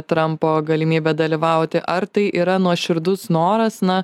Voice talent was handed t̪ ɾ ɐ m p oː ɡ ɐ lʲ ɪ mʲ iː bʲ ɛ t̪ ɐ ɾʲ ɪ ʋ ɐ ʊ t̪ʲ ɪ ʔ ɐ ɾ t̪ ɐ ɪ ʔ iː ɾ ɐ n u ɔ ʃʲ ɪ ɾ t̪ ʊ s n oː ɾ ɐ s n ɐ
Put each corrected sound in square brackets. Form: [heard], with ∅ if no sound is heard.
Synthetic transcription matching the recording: t̪ ɾ ɐ m p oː ɡ ɐ lʲ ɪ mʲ iː bʲ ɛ [d̪] ɐ [lʲ] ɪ ʋ ɐ ʊ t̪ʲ ɪ ʔ ɐ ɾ t̪ ɐ ɪ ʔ iː ɾ ɐ n u ɔ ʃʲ ɪ ɾ [d̪] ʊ s n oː ɾ ɐ s n ɐ